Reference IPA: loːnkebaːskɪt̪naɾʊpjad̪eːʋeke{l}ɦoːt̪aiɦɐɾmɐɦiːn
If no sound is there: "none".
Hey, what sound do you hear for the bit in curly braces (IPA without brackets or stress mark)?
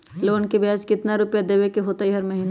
none